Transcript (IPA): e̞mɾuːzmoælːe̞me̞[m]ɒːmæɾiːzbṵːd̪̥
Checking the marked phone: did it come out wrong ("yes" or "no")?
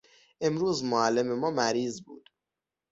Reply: no